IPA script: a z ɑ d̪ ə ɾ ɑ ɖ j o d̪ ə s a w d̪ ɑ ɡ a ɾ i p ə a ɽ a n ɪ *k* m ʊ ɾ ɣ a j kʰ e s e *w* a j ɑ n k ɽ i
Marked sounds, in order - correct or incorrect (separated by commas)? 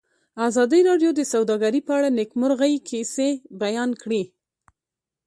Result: correct, incorrect